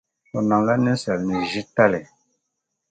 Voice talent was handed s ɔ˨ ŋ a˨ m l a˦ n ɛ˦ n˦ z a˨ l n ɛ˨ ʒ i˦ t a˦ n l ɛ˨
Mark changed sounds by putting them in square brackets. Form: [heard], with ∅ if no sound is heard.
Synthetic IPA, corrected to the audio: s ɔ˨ [n] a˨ [ŋ] l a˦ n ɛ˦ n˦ [s] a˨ l n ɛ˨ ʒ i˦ t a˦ [∅] l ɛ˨